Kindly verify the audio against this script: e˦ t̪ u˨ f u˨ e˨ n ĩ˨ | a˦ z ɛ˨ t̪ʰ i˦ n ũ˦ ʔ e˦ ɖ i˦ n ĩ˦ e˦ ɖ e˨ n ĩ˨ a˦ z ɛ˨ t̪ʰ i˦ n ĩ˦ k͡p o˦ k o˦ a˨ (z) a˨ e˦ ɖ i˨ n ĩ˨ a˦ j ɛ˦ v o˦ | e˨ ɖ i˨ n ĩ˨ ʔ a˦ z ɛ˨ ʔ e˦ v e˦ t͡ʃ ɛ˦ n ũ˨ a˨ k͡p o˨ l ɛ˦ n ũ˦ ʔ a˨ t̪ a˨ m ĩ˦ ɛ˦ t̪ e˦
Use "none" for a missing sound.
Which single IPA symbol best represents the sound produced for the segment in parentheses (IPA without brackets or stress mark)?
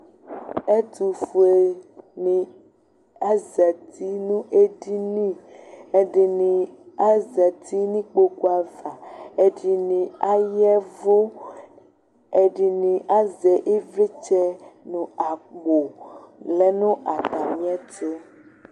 v